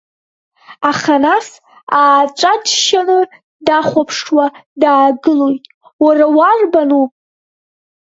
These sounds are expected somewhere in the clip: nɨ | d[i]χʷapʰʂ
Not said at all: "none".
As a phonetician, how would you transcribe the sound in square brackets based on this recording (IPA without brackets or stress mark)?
a